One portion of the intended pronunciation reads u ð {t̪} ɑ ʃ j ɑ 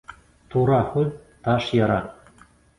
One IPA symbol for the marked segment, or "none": t̪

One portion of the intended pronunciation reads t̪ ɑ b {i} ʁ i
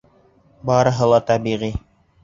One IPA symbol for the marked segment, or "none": i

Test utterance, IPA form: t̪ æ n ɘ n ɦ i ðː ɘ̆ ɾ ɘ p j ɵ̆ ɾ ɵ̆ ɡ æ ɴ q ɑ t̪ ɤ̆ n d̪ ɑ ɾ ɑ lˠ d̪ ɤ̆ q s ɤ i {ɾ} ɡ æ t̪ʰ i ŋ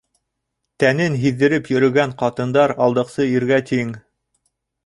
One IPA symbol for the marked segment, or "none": ɾ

